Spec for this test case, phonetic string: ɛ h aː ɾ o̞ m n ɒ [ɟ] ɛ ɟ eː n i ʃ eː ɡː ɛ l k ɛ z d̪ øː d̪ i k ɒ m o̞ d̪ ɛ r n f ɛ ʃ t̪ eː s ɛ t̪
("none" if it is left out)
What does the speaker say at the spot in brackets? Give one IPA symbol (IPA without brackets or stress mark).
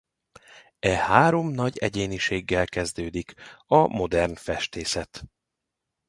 ɟ